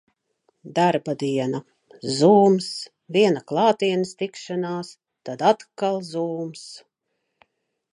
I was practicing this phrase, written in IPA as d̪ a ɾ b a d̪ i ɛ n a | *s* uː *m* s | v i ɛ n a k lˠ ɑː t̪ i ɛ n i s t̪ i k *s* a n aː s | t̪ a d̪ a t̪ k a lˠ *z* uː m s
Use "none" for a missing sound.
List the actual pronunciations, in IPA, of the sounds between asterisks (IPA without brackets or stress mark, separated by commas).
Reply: z, m, ʃ, z